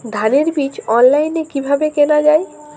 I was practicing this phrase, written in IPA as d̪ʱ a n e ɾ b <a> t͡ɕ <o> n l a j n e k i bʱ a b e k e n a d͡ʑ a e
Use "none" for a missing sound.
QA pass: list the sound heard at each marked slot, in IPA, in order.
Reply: i, ɔ

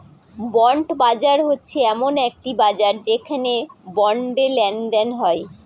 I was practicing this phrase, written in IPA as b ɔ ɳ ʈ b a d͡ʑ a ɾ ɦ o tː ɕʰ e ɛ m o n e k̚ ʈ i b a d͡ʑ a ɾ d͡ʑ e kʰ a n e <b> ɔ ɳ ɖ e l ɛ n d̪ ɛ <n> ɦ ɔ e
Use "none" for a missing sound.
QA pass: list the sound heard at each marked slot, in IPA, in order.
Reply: b, n

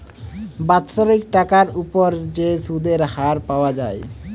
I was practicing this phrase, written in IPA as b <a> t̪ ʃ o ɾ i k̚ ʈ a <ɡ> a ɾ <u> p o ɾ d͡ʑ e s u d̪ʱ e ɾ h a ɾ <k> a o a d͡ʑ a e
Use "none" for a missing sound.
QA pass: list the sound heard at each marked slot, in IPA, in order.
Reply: a, k, u, p

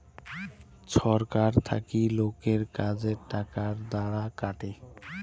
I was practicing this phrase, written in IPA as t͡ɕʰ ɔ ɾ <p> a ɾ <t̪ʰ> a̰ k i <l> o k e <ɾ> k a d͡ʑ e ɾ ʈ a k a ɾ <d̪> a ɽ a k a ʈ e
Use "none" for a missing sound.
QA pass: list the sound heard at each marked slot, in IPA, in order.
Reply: k, t̪ʰ, l, ɾ, d̪

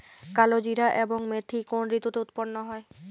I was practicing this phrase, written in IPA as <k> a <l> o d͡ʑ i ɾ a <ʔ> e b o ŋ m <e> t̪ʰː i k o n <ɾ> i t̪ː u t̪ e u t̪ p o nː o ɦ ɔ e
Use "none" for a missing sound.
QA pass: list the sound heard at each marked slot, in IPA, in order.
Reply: k, l, ʔ, e, ɾ

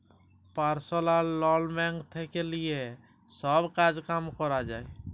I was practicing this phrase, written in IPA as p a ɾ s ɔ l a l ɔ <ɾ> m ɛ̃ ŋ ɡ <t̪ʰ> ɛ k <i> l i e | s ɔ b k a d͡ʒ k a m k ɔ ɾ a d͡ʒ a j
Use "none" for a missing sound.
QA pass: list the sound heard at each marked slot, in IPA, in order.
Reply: l, t̪ʰ, e

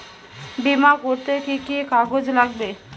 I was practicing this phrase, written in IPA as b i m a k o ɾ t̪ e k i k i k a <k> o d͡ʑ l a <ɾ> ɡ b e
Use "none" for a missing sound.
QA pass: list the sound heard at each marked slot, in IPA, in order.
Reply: ɡ, none

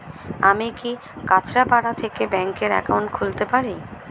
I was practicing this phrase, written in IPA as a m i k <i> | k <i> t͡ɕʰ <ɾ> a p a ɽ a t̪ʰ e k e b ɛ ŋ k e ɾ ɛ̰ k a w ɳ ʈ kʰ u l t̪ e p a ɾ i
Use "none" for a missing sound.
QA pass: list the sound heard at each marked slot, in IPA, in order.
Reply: i, a, ɾ

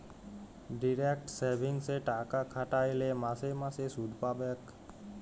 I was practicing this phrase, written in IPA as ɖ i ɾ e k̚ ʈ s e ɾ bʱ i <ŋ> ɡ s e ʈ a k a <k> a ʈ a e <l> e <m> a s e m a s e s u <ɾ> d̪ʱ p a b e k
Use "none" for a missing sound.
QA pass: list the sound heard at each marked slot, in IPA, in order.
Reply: ŋ, kʰ, l, m, none

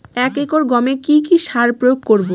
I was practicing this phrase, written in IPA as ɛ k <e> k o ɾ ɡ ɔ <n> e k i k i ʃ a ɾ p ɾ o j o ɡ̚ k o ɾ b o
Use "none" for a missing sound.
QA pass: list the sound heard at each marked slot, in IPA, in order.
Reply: e, m

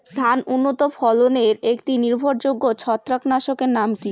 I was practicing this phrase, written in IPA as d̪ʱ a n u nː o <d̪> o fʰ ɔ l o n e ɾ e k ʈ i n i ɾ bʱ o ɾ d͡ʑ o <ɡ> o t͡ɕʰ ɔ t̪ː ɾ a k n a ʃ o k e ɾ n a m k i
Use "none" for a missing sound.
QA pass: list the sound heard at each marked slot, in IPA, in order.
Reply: t̪, ɡː

